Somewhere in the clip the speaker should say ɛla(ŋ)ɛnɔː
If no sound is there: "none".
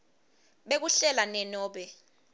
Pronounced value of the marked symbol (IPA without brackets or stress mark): n